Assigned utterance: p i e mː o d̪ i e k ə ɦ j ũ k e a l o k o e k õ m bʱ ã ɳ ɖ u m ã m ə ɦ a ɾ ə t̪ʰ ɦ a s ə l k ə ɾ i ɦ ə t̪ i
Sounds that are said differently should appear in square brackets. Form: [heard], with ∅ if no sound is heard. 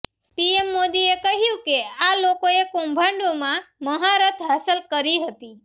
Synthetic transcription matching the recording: p i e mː o d̪ i e k ə ɦ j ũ k e a l o k o e k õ m bʱ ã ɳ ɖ [o] m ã m ə ɦ a ɾ ə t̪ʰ ɦ a s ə l k ə ɾ i ɦ ə t̪ i